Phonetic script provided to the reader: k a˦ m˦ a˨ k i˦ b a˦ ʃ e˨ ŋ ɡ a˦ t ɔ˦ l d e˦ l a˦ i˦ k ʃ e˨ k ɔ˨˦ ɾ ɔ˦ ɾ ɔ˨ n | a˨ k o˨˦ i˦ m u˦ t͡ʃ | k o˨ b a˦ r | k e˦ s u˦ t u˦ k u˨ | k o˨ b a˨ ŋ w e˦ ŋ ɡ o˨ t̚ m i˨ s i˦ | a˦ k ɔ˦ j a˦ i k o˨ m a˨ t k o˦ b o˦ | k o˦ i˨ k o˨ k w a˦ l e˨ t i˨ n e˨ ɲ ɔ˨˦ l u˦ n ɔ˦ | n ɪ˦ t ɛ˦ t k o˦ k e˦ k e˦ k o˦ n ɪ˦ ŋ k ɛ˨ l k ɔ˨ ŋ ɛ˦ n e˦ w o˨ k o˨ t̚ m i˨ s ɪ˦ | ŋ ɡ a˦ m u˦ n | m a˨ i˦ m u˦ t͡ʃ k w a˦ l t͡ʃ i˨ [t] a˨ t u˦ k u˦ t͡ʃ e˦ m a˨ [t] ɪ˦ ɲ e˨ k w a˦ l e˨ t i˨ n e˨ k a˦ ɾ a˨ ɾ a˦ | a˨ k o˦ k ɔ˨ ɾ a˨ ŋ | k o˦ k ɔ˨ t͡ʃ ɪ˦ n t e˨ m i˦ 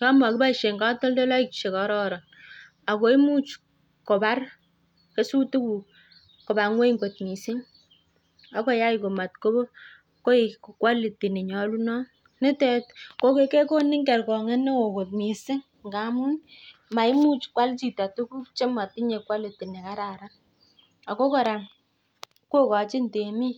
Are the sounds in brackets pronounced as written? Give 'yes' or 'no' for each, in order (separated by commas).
yes, yes